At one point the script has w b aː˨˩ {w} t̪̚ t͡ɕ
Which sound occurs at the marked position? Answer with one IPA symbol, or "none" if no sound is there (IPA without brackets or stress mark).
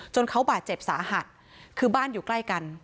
none